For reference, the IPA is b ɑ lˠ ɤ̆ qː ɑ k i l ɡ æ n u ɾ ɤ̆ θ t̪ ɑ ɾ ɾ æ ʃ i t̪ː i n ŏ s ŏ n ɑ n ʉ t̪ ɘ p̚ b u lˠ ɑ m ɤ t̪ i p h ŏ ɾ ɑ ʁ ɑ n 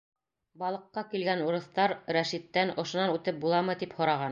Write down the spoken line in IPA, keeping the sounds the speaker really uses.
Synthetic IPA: b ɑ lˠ ɤ̆ qː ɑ k i l ɡ æ n u ɾ ɤ̆ θ t̪ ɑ ɾ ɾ æ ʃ i t̪ː æ n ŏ ʃ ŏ n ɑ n ʉ t̪ ɘ p̚ b u lˠ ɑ m ɤ t̪ i p h ŏ ɾ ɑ ʁ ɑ n

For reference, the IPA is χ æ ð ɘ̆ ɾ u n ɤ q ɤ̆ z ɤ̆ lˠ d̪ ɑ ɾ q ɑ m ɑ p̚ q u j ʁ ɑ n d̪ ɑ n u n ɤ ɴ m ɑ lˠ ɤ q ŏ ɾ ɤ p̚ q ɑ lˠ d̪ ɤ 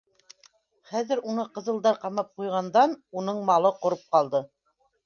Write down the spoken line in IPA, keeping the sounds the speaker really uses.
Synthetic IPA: χ æ ð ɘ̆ ɾ u n ɤ q ɤ̆ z ɤ̆ lˠ d̪ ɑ ɾ q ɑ m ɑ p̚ q u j ʁ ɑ n d̪ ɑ n u n ɤ ɴ m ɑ lˠ ɤ q ŏ ɾ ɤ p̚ q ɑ lˠ d̪ ɤ

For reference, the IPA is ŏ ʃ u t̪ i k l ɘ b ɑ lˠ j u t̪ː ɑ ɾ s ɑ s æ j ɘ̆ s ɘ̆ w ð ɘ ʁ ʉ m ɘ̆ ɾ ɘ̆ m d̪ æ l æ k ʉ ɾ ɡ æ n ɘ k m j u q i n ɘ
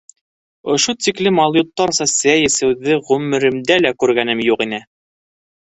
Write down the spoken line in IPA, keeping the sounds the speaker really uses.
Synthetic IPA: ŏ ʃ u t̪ i k l ɘ m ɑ lˠ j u t̪ː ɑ ɾ s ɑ s æ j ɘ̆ s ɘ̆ w ð ɘ ʁ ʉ m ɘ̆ ɾ ɘ̆ m d̪ æ l æ k ʉ ɾ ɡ æ n ɘ m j u q i n ɘ

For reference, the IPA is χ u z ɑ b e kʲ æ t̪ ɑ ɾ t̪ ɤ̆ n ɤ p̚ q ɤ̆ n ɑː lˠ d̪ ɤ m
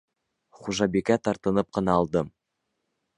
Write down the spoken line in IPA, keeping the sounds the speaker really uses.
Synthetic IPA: χ u ʒ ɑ b e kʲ æ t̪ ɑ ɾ t̪ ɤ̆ n ɤ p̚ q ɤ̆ n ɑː lˠ d̪ ɤ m

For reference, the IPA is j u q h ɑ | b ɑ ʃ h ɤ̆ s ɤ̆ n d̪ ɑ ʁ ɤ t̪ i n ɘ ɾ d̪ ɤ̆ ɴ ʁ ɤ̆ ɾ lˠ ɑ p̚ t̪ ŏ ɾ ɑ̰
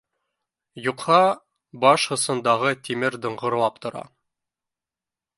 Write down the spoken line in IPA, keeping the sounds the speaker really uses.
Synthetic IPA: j u q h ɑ | b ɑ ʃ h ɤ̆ s ɤ̆ n d̪ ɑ ʁ ɤ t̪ i m ɘ ɾ d̪ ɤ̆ ɴ ʁ ɤ̆ ɾ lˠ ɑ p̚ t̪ ŏ ɾ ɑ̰

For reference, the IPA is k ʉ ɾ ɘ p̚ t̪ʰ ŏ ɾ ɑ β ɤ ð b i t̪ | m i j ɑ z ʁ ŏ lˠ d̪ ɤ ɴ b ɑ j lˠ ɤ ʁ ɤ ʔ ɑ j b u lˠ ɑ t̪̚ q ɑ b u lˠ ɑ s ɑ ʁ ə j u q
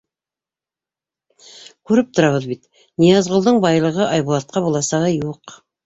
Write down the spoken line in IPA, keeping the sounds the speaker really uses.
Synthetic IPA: k ʉ ɾ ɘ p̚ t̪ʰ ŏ ɾ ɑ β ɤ ð b i t̪ | n i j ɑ z ʁ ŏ lˠ d̪ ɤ ɴ b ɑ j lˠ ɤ ʁ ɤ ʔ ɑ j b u lˠ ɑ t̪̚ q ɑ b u lˠ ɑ s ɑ ʁ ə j u q

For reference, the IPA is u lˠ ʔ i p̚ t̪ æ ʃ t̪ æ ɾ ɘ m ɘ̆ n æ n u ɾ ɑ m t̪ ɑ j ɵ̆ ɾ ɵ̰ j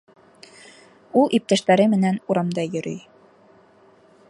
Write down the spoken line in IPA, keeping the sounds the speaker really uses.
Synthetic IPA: u lˠ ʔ i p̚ t̪ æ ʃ t̪ æ ɾ ɘ m ɘ̆ n æ n u ɾ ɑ m d̪ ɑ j ɵ̆ ɾ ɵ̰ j

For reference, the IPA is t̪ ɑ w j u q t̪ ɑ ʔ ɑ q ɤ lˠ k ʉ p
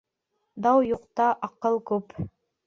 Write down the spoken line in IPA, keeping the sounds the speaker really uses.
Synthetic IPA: d̪ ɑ w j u q t̪ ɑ ʔ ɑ q ɤ lˠ k ʉ p

